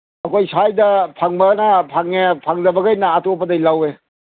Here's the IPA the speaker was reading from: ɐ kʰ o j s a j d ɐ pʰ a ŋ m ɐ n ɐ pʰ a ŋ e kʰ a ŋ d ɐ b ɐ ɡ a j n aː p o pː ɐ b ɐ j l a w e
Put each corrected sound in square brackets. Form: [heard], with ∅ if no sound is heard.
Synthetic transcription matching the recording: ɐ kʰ o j s a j d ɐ pʰ a ŋ [b] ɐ n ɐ pʰ a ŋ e [pʰ] a ŋ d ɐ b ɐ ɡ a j n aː [t] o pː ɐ [d] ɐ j l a w e